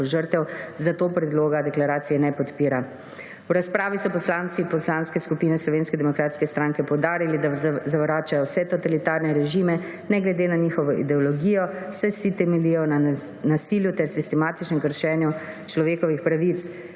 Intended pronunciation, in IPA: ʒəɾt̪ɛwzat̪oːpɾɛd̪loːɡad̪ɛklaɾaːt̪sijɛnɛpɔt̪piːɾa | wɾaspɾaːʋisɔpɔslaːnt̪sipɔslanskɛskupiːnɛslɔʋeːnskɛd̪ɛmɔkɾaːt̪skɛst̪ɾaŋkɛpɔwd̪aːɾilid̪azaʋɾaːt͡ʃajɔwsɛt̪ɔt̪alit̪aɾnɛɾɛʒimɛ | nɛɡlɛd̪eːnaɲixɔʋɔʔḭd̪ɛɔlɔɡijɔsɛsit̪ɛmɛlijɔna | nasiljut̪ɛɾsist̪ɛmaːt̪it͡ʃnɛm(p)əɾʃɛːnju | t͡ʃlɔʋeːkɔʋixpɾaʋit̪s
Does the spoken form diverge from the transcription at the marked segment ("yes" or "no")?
yes